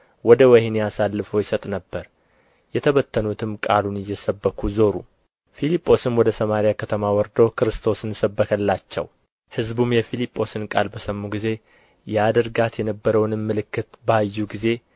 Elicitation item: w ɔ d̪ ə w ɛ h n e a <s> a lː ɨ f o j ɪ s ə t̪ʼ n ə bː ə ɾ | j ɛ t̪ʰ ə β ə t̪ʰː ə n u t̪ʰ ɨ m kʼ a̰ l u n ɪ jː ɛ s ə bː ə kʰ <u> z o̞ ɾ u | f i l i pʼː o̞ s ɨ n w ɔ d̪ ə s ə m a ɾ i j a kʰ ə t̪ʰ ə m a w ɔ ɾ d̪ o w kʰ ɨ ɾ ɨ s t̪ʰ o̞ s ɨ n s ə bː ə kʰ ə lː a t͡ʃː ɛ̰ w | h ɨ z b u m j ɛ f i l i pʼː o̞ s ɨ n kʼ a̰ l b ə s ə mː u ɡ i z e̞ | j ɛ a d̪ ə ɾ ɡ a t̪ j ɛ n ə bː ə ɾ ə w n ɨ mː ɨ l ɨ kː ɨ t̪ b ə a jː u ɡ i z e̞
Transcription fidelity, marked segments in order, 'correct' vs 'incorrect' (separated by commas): correct, correct